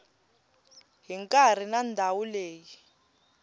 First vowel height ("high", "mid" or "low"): high